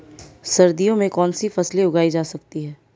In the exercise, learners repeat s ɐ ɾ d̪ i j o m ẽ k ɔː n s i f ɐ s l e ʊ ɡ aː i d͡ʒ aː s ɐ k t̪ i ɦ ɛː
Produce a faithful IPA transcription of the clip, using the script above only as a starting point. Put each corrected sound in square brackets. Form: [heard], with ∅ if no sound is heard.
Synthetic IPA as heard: s ɐ ɾ d̪ i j [õ] m ẽ k ɔː n s i f ɐ s l e ʊ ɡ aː i d͡ʒ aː s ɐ k t̪ i ɦ ɛː